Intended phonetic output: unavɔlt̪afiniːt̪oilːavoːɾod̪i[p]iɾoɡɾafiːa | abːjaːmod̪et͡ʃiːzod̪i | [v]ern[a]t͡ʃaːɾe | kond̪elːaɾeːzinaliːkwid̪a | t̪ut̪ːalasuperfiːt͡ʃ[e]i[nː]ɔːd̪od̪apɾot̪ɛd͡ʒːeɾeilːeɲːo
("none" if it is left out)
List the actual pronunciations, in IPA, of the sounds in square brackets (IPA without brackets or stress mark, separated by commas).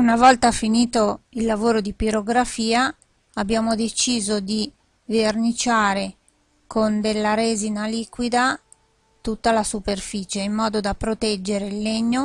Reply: p, v, i, e, mː